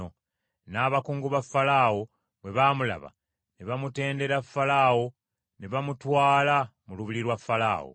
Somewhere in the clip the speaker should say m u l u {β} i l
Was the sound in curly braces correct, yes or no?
yes